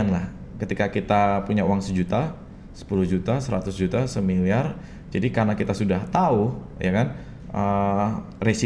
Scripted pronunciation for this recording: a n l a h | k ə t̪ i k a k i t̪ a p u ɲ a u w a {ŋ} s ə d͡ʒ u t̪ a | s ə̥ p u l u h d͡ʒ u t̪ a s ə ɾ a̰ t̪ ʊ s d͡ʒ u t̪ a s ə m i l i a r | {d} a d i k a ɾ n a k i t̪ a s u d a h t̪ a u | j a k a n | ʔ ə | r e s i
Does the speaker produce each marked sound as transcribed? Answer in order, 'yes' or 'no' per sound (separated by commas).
yes, no